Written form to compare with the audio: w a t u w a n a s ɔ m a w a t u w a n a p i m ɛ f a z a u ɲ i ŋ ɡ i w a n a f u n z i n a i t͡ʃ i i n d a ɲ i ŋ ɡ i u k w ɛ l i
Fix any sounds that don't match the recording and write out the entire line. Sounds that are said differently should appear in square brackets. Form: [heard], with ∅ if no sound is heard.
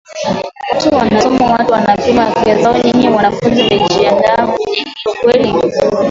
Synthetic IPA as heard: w a t u w a n a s ɔ m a w a t u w a n a p i m [a] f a z a [ɔ] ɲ i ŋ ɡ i w a n a f u n z i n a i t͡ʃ i [a] n d a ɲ i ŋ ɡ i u k w ɛ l i